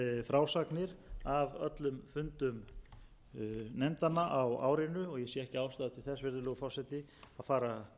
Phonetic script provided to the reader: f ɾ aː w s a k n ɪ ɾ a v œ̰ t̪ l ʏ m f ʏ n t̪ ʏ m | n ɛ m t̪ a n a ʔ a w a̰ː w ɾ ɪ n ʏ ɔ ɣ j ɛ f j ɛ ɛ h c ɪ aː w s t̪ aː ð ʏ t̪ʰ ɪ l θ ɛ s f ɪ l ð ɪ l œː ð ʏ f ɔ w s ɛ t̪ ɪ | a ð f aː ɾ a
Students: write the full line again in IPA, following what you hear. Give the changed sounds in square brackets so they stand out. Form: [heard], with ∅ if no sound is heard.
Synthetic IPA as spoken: f ɾ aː w s a k n ɪ ɾ a v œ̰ t̪ l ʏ m f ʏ n t̪ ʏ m | n ɛ m t̪ a n a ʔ a w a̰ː w ɾ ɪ n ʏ ɔ ɣ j ɛ [s] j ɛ ɛ h c ɪ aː w s t̪ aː ð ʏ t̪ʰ ɪ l θ ɛ s [v] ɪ [ɾ] ð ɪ l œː [ɣ] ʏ f ɔ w s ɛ t̪ ɪ | a ð f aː ɾ a